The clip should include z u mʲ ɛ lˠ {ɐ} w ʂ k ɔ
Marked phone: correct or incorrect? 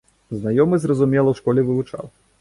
correct